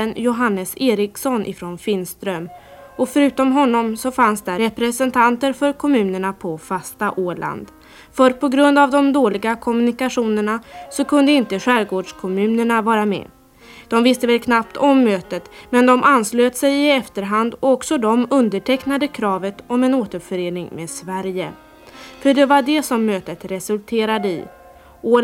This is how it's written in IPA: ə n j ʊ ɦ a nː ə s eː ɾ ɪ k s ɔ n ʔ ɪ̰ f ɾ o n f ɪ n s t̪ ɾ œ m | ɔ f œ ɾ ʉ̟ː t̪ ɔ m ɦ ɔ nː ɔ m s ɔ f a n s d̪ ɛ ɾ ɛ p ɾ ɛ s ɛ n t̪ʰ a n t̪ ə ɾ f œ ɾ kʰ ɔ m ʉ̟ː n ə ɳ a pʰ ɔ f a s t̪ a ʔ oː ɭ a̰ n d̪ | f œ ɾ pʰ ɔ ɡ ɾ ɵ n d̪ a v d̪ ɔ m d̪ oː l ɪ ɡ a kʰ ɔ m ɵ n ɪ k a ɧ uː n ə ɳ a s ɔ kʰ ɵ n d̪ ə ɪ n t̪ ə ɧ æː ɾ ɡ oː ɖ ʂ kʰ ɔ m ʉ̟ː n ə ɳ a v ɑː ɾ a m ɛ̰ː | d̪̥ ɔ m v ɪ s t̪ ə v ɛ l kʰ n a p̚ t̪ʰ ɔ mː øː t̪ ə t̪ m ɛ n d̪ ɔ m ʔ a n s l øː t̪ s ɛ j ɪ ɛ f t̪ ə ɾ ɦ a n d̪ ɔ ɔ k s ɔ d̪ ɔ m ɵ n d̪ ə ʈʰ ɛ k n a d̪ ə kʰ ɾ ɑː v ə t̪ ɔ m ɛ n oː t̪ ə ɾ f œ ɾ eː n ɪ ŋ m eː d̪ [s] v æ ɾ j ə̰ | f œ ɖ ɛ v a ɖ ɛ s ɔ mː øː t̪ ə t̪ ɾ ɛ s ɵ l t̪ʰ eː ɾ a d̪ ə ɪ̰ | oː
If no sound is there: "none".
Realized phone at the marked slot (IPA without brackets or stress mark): s